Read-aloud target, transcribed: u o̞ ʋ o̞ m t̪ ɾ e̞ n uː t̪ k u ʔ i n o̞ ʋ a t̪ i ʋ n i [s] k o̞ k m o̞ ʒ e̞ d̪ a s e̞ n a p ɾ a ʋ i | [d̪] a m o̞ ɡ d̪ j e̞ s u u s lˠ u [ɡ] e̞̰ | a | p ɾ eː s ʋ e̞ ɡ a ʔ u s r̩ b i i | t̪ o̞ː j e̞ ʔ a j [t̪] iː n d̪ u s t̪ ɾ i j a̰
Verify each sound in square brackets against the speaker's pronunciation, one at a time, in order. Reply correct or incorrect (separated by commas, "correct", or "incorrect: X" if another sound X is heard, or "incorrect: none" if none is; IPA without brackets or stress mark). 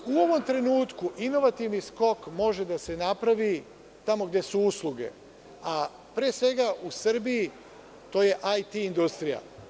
correct, incorrect: t̪, correct, correct